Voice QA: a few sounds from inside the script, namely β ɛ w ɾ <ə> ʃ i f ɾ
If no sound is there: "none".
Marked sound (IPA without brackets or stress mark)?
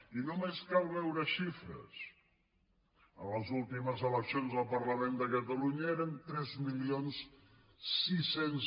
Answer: ə